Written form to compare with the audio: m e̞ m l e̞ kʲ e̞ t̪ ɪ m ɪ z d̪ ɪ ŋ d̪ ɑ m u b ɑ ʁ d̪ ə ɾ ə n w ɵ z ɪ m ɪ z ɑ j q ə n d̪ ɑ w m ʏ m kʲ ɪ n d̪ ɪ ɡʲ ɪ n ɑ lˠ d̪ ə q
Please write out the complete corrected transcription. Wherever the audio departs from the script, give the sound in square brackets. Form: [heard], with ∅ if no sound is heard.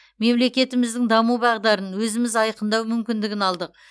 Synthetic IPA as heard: m e̞ m l e̞ kʲ e̞ t̪ ɪ m ɪ z d̪ ɪ ŋ d̪ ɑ m u b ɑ ʁ d̪ [ɑ] ɾ ə n w ɵ z ɪ m ɪ z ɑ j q ə n d̪ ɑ w m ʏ m kʲ ɪ n d̪ ɪ ɡʲ ɪ n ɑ lˠ d̪ ə q